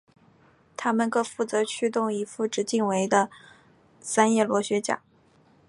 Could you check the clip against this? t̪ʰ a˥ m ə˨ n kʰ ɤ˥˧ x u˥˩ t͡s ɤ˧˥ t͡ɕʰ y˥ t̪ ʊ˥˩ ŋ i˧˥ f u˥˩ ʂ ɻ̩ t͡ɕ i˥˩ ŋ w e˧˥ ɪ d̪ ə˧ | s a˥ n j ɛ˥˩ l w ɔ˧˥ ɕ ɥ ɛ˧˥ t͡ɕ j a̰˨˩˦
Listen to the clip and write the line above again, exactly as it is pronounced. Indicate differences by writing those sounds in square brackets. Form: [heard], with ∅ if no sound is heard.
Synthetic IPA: t̪ʰ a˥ m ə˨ n [k] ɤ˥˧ [f] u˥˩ t͡s ɤ˧˥ t͡ɕʰ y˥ t̪ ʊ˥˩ ŋ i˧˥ f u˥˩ [ʈ͡ʂ] ɻ̩ t͡ɕ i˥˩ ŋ w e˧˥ ɪ d̪ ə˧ | s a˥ n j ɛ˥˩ l w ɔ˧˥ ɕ ɥ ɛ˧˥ t͡ɕ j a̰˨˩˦